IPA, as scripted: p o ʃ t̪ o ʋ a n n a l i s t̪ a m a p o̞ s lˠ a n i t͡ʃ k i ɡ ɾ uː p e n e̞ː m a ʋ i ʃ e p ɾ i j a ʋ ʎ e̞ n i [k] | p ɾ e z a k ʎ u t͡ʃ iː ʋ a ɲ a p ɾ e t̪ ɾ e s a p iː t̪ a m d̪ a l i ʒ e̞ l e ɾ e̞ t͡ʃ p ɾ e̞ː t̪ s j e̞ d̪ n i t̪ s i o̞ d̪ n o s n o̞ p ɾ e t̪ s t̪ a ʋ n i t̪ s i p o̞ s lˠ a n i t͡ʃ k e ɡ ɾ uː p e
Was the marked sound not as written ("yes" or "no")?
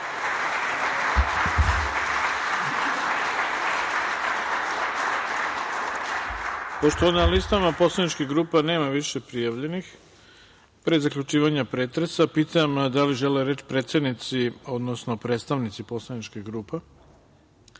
yes